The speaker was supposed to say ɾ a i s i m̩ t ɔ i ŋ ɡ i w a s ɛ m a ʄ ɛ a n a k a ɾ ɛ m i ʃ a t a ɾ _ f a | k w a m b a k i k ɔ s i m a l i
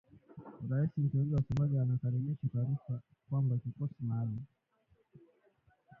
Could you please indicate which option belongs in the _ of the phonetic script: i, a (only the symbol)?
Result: i